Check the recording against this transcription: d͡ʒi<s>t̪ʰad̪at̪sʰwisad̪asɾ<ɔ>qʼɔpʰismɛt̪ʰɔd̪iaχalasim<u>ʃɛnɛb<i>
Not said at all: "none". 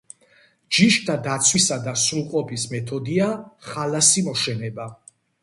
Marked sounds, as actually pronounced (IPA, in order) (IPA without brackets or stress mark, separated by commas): ʃ, u, ɔ, a